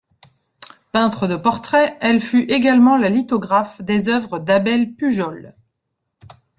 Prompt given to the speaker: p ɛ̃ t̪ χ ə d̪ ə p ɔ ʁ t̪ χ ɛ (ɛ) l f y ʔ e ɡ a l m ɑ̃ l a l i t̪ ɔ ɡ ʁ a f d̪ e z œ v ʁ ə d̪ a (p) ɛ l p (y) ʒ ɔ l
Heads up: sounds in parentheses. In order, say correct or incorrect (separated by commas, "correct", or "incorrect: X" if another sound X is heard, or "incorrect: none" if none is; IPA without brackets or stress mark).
correct, incorrect: b, correct